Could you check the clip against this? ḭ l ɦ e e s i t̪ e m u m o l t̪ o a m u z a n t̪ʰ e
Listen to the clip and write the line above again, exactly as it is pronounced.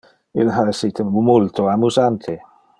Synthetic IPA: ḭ l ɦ a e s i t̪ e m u m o l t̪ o a m u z a n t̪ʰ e